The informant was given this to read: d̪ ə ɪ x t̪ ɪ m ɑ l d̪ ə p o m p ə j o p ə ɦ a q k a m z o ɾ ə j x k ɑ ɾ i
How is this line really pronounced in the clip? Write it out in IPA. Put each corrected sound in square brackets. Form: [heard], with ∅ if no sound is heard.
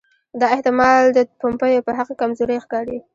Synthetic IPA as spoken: d̪ [ɑ] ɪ [h] t̪ ɪ m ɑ l d̪ ə p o m p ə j o p ə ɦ a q k a m z o ɾ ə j x k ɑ ɾ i